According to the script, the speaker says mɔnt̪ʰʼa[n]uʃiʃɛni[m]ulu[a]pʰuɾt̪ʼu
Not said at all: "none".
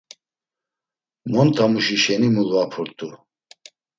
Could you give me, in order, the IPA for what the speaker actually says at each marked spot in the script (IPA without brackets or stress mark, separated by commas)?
m, m, a